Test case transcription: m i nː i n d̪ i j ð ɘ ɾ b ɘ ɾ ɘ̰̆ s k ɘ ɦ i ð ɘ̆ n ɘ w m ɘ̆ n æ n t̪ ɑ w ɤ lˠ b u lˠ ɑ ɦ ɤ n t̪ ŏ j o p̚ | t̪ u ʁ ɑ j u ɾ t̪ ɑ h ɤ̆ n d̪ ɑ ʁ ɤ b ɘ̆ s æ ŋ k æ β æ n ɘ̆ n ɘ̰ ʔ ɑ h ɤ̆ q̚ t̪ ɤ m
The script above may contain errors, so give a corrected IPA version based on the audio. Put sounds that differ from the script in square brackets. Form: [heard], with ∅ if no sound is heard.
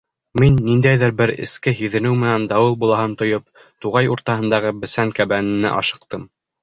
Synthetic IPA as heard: m i nː i n d̪ [æ] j ð ɘ ɾ b ɘ ɾ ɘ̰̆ s k ɘ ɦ i ð ɘ̆ n ɘ w m ɘ̆ n æ n [d̪] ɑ w ɤ lˠ b u lˠ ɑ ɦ ɤ n t̪ ŏ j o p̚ | t̪ u ʁ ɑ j u ɾ t̪ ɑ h ɤ̆ n d̪ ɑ ʁ ɤ b ɘ̆ s æ ŋ k æ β æ n ɘ̆ n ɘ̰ ʔ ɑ [ʃ] ɤ̆ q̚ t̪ ɤ m